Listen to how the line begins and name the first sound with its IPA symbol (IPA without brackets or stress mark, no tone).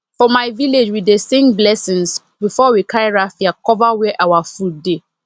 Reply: f